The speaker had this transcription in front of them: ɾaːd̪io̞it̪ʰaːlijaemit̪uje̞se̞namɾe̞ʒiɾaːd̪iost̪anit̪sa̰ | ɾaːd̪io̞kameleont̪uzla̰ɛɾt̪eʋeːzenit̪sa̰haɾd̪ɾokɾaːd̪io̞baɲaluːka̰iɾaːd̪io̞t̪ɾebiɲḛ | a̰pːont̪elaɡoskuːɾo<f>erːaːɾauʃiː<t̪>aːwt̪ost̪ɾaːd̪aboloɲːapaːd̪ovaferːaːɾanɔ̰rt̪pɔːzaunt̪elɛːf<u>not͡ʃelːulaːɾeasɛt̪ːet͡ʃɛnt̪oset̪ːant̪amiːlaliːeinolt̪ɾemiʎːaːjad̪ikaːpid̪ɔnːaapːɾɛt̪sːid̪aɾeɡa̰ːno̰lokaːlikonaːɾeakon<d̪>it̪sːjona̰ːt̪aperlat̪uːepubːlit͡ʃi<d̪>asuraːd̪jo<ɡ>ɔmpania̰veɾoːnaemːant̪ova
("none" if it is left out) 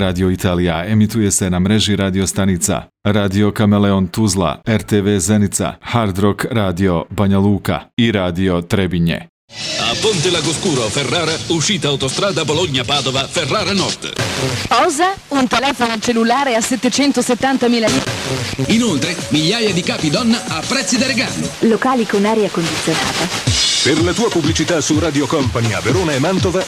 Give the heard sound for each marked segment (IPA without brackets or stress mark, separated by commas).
f, t̪, o, d̪, t̪, k